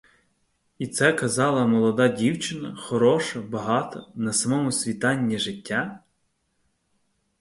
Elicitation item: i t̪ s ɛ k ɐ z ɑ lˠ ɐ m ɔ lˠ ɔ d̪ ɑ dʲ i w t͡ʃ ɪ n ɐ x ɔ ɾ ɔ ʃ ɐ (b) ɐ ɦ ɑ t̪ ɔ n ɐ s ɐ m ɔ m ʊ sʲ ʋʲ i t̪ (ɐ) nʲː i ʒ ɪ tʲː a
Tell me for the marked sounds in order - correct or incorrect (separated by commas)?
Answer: correct, incorrect